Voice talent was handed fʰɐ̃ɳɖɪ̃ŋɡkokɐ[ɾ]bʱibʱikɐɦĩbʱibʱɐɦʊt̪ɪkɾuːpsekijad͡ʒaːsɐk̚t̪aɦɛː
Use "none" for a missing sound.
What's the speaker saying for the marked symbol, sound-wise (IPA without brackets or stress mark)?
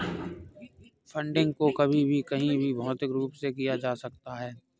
none